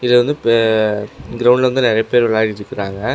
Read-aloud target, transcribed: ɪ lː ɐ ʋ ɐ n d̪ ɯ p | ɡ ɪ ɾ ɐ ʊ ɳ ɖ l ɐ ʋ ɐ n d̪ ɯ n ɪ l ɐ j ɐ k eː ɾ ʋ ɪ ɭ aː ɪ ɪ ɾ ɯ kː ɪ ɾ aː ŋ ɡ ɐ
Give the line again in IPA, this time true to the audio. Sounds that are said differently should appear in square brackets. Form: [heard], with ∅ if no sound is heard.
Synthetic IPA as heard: ɪ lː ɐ ʋ ɐ n d̪ ɯ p | ɡ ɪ ɾ ɐ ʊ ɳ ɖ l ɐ ʋ ɐ n d̪ ɯ n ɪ [ɾ] ɐ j ɐ [p] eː ɾ ʋ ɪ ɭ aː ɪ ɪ ɾ ɯ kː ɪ ɾ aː ŋ ɡ ɐ

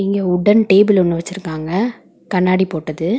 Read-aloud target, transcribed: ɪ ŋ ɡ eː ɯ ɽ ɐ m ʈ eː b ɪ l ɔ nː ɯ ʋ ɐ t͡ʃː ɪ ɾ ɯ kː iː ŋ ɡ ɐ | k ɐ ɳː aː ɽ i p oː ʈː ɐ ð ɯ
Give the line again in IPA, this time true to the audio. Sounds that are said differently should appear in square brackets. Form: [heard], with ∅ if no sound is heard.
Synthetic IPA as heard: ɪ ŋ ɡ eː [ʊ] ɽ ɐ [n] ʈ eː b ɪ l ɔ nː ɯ ʋ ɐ t͡ʃː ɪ ɾ ɯ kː [aː] ŋ ɡ ɐ | k ɐ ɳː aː ɽ i p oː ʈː ɐ ð ɯ

